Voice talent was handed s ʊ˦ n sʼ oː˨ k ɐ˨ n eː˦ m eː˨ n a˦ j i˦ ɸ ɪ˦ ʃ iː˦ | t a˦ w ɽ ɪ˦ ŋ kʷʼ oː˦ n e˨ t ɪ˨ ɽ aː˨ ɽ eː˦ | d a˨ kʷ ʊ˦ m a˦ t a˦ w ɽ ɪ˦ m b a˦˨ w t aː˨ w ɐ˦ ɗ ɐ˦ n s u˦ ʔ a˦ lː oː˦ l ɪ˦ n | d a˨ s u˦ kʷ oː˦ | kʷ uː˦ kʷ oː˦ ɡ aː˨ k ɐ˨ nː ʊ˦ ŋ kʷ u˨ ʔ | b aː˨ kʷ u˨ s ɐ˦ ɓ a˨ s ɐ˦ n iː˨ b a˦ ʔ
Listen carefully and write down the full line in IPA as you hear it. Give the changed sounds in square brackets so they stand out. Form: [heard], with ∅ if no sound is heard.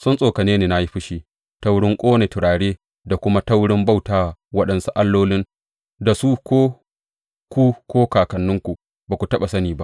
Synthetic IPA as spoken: s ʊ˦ n sʼ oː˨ k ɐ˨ n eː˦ [n] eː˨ n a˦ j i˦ ɸ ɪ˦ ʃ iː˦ | t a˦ w ɽ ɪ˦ ŋ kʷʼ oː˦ n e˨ t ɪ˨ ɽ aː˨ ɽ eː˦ | d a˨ kʷ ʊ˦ m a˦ t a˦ w ɽ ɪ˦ m b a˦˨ w t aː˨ w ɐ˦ ɗ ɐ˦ n s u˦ ʔ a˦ lː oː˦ l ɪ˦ n | d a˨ s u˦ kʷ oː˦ | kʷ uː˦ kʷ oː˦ [k] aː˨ k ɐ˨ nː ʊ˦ ŋ kʷ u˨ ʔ | b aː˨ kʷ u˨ [t] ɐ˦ ɓ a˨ s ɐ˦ n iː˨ b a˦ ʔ